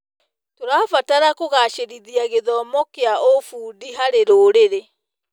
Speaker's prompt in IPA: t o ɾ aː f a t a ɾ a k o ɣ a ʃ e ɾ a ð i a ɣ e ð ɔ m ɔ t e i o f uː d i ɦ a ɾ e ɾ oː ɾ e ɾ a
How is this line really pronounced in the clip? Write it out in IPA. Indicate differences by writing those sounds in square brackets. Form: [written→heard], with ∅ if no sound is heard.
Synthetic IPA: t o ɾ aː f a t a ɾ a k o ɣ a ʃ e ɾ [a→i] ð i a ɣ e ð ɔ m ɔ [t→k] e [i→a] o f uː d i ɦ a ɾ e ɾ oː ɾ e ɾ [a→e]